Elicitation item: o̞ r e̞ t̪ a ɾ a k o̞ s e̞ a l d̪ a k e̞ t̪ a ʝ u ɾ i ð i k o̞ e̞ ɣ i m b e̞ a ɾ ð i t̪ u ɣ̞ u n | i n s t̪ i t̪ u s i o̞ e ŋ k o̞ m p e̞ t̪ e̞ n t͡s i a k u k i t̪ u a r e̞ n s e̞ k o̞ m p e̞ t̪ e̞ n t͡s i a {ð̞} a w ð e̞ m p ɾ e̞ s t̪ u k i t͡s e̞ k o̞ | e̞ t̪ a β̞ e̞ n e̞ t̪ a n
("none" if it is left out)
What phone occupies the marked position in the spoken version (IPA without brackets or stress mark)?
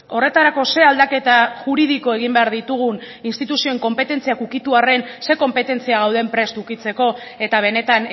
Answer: ɣ̞